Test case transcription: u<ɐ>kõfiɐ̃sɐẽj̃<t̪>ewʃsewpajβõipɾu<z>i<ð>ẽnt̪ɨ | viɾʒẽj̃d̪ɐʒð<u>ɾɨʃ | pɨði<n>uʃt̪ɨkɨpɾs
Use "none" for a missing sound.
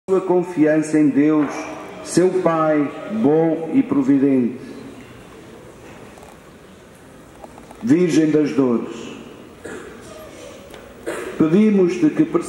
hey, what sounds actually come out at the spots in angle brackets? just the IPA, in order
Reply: ɐ, d̪, v, ð, o, m

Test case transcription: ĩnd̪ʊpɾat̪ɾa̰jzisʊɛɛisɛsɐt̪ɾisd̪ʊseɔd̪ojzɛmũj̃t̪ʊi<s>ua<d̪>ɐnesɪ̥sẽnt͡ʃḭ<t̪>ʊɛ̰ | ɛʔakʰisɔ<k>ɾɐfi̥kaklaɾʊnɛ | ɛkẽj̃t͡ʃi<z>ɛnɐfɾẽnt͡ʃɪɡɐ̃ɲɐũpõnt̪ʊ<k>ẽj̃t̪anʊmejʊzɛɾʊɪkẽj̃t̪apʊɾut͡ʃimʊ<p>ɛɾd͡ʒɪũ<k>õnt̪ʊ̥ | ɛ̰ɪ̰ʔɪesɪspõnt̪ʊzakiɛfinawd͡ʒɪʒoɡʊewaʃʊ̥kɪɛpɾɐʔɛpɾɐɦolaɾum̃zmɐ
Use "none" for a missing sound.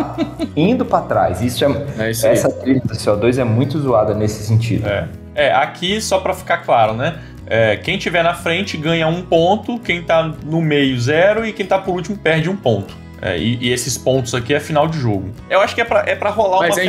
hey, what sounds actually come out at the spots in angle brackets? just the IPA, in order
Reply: z, d̪, d̪, p, v, k, p, p

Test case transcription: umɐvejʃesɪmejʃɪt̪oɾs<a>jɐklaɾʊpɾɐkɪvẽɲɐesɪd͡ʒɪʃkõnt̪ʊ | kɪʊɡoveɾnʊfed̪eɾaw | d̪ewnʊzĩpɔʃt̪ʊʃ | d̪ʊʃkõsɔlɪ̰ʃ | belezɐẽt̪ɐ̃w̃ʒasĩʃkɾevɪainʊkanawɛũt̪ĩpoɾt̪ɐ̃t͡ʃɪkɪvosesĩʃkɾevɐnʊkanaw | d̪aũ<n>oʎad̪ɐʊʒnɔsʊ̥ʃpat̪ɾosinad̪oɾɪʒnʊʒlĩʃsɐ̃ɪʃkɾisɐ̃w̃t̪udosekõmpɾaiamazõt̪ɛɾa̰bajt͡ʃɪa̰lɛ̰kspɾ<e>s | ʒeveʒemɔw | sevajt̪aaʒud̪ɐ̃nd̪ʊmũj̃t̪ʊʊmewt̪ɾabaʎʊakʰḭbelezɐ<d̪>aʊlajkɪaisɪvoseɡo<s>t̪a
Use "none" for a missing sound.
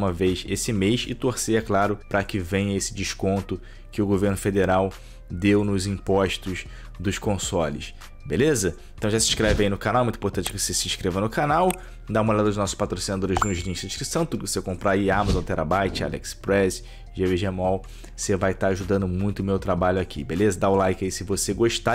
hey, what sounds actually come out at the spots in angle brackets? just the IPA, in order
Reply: e, m, ɛ, d̪, ʃ

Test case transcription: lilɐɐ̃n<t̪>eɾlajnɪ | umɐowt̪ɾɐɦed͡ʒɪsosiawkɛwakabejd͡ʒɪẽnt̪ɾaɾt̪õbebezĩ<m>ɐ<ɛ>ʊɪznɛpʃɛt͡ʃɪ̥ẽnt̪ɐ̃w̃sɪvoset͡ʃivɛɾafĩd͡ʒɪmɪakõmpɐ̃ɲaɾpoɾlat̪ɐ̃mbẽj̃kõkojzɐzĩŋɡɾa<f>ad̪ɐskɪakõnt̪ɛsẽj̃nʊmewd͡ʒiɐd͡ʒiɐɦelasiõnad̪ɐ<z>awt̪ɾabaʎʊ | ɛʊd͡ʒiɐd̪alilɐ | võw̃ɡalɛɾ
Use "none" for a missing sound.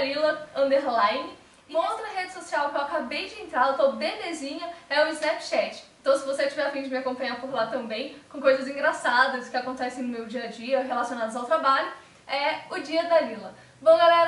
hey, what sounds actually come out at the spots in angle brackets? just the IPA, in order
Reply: d̪, ɲ, ɛ, s, z

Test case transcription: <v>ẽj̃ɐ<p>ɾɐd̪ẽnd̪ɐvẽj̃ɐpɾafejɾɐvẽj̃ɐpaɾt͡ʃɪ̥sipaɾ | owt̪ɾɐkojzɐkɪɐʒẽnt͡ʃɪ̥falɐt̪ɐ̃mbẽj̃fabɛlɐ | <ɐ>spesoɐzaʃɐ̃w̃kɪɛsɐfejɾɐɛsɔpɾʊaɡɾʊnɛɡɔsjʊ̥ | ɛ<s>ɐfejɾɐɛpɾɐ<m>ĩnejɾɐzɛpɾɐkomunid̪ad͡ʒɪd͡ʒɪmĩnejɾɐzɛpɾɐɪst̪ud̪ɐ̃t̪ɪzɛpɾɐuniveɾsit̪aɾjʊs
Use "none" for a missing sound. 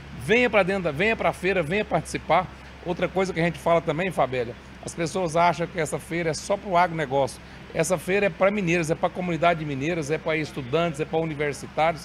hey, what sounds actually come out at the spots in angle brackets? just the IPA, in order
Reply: v, p, ɐ, s, m

